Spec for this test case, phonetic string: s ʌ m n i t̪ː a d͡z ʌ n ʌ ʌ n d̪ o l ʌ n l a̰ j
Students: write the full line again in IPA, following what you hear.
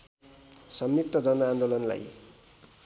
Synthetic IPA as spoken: s ʌ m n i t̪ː ʌ d͡z ʌ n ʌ a n d̪ o l ʌ n l a̰ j